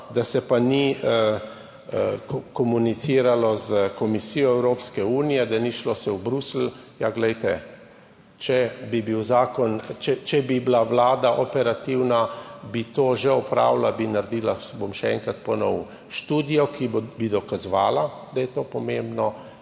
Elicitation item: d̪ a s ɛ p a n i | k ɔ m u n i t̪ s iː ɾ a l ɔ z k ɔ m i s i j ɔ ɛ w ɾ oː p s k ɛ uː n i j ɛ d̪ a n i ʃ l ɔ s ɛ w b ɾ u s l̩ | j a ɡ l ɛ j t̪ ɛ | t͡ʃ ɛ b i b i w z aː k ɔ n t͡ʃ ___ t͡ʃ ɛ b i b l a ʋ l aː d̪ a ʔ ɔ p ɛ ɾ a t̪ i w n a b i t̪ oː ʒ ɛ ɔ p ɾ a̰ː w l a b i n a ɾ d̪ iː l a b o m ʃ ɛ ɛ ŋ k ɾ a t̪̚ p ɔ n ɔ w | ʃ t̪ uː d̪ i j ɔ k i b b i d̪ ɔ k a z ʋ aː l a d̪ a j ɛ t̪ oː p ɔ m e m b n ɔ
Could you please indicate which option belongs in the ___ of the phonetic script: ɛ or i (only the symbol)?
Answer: ɛ